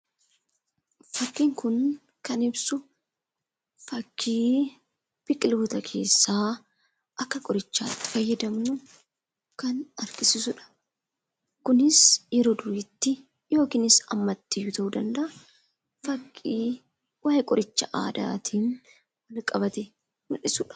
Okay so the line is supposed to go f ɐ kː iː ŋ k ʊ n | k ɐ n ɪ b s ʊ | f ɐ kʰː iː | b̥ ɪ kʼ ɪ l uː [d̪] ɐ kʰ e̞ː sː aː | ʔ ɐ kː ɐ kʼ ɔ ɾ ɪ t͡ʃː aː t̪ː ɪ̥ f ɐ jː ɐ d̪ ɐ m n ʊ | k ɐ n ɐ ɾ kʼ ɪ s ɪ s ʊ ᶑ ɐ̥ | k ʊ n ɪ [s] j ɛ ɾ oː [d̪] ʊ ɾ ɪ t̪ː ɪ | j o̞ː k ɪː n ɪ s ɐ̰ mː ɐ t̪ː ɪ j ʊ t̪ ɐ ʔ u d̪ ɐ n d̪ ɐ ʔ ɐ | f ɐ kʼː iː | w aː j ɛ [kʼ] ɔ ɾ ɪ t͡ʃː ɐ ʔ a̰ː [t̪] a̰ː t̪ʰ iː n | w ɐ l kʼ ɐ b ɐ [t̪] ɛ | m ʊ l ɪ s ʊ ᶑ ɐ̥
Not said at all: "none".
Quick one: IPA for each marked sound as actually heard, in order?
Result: t̪, s, d̪, kʼ, d̪, t̪

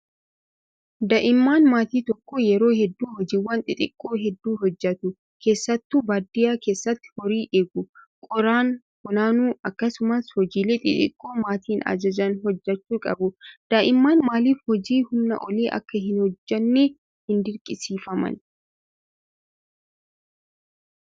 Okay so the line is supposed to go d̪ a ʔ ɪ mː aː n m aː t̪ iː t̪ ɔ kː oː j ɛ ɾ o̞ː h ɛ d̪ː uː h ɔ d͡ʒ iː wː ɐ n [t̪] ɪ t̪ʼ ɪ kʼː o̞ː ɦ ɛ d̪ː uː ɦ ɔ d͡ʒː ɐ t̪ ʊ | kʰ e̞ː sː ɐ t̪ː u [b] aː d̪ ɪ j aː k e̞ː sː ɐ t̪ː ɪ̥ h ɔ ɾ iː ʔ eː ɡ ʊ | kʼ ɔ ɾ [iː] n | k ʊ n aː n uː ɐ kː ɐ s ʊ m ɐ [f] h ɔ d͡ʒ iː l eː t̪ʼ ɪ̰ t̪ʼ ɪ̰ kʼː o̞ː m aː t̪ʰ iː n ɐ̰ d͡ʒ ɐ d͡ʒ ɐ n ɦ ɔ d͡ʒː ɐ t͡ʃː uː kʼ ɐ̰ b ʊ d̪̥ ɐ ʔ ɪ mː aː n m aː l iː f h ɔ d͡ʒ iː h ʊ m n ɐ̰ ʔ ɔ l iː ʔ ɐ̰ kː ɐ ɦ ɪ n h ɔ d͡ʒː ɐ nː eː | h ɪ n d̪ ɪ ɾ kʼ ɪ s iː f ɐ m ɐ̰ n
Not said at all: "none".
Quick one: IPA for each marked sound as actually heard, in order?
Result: t̪ʼ, b, aː, s

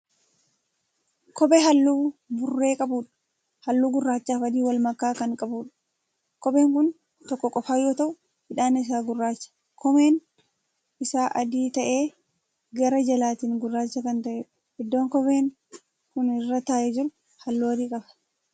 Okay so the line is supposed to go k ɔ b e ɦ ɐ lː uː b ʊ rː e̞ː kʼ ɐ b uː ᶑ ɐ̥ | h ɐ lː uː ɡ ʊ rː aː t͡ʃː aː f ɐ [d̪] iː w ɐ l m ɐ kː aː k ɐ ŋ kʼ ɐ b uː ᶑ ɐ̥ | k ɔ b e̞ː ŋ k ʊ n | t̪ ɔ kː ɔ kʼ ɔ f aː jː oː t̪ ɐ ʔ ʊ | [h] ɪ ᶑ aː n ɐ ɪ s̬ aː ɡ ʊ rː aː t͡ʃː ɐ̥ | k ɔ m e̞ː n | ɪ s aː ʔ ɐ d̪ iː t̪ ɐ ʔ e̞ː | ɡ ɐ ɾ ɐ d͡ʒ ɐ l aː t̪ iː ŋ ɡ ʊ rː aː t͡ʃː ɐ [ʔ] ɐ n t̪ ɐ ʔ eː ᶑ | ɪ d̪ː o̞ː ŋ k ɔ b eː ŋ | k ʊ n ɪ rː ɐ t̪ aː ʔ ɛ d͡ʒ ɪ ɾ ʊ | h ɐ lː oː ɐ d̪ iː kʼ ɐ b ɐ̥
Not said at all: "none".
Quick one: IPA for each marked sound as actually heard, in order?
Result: d̪, h, k

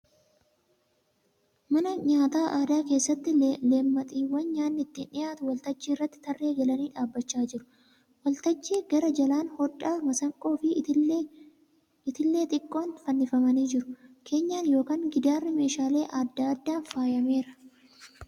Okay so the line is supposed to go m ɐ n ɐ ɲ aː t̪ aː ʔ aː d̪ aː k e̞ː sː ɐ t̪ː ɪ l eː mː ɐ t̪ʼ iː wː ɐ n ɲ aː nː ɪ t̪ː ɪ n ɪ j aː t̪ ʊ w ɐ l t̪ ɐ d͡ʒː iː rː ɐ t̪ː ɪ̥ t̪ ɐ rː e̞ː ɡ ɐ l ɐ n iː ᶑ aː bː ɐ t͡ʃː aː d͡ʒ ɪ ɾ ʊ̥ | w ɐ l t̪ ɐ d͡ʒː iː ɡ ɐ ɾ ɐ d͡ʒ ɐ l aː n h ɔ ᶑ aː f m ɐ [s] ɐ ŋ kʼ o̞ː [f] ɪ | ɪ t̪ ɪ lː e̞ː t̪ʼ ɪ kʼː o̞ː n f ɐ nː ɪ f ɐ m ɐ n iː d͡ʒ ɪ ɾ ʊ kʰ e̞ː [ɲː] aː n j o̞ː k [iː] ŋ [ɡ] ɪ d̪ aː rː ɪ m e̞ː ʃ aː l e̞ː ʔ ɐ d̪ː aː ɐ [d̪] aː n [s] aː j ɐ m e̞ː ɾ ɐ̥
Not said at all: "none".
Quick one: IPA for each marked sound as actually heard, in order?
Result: s, f, ɲː, aː, ɡ, d̪ː, f

